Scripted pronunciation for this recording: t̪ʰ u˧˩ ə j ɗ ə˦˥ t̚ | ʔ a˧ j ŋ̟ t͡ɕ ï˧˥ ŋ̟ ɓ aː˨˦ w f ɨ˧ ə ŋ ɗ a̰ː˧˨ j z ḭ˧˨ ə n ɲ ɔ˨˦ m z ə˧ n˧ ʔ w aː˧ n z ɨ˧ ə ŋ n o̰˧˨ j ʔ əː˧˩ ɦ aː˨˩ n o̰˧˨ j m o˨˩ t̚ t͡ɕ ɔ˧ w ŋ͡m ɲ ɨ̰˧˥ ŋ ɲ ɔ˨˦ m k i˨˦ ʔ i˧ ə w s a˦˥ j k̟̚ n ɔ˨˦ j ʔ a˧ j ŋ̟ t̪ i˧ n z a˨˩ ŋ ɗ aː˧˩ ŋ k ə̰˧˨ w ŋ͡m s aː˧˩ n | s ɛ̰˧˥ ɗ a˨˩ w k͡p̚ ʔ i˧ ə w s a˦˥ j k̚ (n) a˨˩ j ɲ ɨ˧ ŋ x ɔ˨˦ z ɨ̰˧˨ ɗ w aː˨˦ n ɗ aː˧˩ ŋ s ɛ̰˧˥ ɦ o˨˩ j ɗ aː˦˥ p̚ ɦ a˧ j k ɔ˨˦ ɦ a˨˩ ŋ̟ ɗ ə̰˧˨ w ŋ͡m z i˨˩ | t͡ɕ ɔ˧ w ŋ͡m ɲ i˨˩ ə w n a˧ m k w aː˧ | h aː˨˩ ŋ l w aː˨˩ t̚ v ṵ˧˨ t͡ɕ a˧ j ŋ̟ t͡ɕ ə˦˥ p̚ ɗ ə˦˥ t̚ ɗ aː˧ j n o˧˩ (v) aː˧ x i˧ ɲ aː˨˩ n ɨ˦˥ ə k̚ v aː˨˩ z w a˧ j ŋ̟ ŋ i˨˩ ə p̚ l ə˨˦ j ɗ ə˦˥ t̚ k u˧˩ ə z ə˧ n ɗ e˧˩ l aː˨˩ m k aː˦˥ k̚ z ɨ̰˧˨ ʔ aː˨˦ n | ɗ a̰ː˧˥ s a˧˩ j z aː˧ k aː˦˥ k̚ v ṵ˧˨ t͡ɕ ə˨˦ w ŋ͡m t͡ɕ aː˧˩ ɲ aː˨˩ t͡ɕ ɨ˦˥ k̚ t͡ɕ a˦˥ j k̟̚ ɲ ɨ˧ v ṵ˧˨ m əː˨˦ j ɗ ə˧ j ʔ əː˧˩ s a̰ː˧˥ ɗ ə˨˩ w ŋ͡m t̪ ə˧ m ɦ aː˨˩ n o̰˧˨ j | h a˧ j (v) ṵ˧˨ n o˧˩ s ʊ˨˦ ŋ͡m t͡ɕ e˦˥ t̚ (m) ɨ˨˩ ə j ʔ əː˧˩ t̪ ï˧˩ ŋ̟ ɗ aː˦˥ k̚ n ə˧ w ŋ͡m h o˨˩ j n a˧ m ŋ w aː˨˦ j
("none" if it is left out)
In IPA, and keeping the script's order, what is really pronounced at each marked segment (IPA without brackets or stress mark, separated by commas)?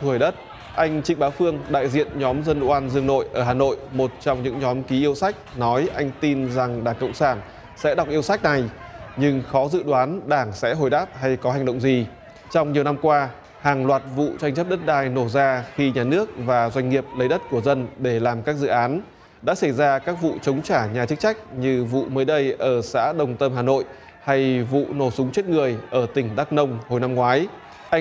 n, z, v, ŋ